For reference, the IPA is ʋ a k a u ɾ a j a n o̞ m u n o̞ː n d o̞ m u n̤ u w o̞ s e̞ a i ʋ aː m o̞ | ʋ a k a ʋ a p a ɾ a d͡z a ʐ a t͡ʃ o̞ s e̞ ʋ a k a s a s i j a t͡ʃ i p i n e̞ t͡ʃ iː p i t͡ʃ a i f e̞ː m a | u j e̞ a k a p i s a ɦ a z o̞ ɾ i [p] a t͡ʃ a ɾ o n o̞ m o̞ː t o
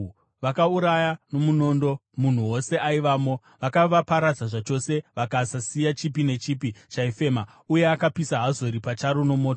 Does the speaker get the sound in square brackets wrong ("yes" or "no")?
no